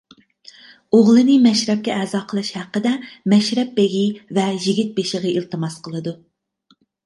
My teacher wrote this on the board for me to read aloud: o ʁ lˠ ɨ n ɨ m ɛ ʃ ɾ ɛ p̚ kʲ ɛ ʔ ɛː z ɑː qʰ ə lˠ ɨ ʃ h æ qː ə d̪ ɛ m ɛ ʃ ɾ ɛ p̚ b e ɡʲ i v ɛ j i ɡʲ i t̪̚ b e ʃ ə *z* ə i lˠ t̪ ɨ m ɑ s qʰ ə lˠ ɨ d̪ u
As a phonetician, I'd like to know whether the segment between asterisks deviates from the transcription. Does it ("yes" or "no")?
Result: yes